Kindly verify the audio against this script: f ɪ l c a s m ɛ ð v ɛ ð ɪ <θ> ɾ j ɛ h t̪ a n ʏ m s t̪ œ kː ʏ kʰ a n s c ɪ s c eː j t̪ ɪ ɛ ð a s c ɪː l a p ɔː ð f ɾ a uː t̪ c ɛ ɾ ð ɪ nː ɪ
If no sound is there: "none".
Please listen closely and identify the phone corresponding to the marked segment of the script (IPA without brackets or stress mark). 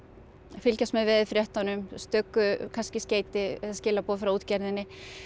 f